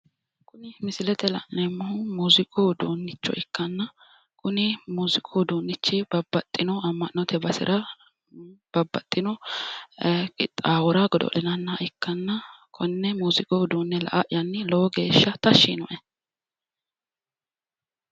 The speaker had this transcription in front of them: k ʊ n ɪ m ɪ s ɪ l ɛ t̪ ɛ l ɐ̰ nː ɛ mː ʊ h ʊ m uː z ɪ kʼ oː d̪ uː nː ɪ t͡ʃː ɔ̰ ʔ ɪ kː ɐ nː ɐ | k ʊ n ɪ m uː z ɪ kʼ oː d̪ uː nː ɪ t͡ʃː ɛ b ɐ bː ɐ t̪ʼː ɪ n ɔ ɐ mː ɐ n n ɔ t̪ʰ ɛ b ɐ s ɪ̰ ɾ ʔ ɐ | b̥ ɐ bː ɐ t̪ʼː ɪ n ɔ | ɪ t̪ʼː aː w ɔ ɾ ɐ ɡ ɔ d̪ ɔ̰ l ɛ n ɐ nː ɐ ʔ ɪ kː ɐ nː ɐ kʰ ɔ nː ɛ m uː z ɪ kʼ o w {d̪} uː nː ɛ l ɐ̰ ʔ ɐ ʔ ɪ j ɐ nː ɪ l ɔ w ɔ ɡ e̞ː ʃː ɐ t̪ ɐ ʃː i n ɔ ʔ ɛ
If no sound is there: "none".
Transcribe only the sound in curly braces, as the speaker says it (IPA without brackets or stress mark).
d̪